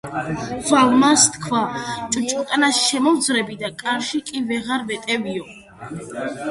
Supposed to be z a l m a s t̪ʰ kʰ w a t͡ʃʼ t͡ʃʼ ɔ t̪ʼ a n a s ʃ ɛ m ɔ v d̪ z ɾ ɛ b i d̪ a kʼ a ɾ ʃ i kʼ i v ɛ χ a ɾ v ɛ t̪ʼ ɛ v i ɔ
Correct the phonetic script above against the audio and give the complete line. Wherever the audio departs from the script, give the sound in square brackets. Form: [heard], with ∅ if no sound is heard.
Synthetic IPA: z a l m a s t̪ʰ kʰ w a t͡ʃʼ t͡ʃʼ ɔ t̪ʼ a n a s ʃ ɛ m ɔ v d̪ z ɾ ɛ b i d̪ a kʼ a ɾ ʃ i kʼ i v ɛ [ʁ] a ɾ v ɛ t̪ʼ ɛ v i ɔ